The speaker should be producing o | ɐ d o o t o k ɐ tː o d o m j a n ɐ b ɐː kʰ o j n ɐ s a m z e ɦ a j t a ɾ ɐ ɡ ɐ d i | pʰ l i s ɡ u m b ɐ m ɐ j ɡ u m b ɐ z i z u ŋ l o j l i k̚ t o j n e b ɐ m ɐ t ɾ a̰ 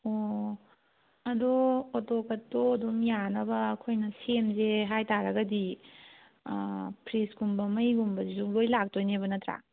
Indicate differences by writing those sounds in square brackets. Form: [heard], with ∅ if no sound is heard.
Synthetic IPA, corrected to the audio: o | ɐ d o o t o k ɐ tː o d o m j a n ɐ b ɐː kʰ o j n ɐ s [e] m z e ɦ a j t a ɾ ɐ ɡ ɐ d i | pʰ [ɾ] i s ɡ u m b ɐ m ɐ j ɡ u m b ɐ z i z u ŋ l o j l [a] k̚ t o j n e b ɐ [n] ɐ t ɾ a̰

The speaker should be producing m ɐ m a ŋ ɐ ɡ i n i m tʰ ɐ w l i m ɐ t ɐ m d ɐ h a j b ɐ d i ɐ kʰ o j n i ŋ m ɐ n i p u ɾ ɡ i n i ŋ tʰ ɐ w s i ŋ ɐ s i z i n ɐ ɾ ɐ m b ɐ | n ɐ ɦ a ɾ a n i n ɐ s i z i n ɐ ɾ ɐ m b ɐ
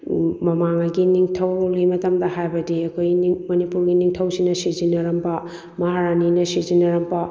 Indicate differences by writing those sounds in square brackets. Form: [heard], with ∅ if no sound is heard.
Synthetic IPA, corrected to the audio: m ɐ m a ŋ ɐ ɡ i n i [ŋ] tʰ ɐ w l i m ɐ t ɐ m d ɐ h a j b ɐ d i ɐ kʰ o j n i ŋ m ɐ n i p u ɾ ɡ i n i ŋ tʰ ɐ w s i [n] ɐ s i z i n ɐ ɾ ɐ m b ɐ | [m] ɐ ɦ a ɾ a n i n ɐ s i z i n ɐ ɾ ɐ m b ɐ

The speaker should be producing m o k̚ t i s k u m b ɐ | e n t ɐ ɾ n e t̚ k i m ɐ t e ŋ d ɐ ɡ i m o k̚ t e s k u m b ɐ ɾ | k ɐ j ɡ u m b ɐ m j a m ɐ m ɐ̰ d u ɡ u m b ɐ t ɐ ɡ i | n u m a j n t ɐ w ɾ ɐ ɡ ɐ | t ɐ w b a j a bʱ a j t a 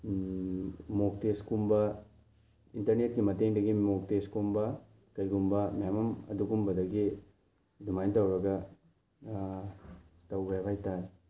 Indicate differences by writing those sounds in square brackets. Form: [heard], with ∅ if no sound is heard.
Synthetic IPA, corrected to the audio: m o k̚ t [e] s k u m b ɐ | [i] n t ɐ ɾ n e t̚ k i m ɐ t e ŋ d ɐ ɡ i m o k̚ t e s k u m b ɐ [∅] | k ɐ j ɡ u m b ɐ m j a m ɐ m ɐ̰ d u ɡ u m b ɐ [d] ɐ ɡ i | [d] u m a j n t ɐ w ɾ ɐ ɡ ɐ | t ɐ w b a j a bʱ a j t a

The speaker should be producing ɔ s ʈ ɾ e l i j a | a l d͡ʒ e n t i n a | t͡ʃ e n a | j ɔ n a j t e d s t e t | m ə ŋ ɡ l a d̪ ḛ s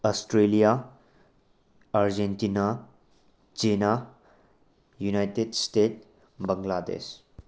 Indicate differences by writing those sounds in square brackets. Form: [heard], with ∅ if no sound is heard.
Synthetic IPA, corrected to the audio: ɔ s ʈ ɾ e l i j a | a [ɾ] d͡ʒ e n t i n a | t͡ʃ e n a | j [u] n a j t e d s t e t | [b] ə ŋ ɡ l a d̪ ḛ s

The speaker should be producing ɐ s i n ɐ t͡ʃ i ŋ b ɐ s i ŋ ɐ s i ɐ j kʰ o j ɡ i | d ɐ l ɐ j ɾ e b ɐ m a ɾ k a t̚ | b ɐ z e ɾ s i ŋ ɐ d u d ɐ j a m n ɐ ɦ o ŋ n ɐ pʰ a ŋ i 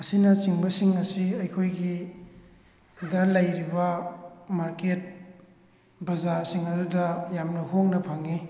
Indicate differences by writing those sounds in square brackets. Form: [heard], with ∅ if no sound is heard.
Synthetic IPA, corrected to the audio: ɐ s i n ɐ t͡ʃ i ŋ b ɐ s i ŋ ɐ s i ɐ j kʰ o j ɡ i | d ɐ l ɐ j ɾ [i] b ɐ m a ɾ k [e] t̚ | b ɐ z [a] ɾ s i ŋ ɐ d u d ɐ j a m n ɐ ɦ o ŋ n ɐ pʰ a ŋ i

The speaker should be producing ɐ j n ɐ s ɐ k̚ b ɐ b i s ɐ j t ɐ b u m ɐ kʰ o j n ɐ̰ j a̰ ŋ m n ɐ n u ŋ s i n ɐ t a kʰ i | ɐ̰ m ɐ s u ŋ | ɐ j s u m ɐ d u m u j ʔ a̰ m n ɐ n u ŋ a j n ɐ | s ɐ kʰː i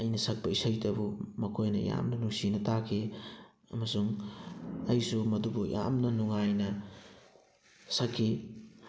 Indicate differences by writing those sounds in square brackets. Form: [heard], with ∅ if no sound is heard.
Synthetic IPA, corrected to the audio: ɐ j n ɐ s ɐ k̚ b ɐ [∅] i s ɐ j t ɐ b u m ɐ kʰ o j n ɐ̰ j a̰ [∅] m n ɐ n u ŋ s i n ɐ t a kʰ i | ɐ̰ m ɐ s u ŋ | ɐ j s u m ɐ d u [b] u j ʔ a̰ m n ɐ n u ŋ a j n ɐ | s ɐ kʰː i

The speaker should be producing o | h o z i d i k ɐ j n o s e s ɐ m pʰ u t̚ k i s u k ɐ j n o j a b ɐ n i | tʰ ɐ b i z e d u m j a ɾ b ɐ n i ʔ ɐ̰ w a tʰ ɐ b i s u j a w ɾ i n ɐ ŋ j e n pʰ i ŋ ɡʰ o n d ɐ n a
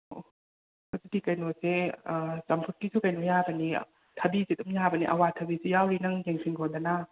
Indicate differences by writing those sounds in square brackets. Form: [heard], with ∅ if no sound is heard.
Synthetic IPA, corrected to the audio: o | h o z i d i k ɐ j n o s e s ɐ m pʰ u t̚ k i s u k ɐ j n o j a b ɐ n i | tʰ ɐ b i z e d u m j a [∅] b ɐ n i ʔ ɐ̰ w a tʰ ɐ b i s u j a w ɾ i n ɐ ŋ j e [ŋ] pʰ i ŋ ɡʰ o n d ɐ n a

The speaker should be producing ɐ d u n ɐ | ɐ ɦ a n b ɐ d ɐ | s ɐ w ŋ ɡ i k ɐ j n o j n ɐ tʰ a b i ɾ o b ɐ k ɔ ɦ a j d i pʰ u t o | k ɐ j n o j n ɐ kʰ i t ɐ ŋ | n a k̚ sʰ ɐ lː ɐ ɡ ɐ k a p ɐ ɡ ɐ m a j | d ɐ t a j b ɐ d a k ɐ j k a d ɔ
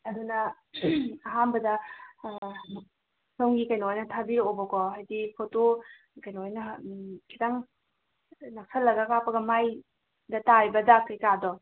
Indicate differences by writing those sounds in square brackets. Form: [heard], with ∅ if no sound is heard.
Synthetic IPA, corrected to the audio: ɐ d u n ɐ | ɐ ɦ a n b ɐ d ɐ | s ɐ w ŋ ɡ i k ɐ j n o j n ɐ tʰ a b i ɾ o b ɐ k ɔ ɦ a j d i pʰ [o] t o | k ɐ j n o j n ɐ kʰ i t [a] ŋ | n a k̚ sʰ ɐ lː ɐ ɡ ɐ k a p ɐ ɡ ɐ m a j | d ɐ t a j b ɐ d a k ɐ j k a d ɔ

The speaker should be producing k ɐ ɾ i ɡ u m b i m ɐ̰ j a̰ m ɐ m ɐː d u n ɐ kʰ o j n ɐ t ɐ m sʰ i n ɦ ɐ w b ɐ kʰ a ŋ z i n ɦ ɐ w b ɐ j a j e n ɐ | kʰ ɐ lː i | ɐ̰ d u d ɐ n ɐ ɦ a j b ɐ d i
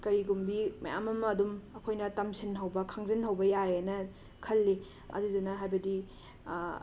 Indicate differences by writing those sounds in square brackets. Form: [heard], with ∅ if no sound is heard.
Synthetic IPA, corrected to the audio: k ɐ ɾ i ɡ u m b i m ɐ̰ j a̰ m ɐ m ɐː d u [m] ɐ kʰ o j n ɐ t ɐ m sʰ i n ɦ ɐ w b ɐ kʰ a ŋ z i n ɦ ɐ w b ɐ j a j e n ɐ | kʰ ɐ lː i | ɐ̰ d u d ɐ n ɐ ɦ a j b ɐ d i

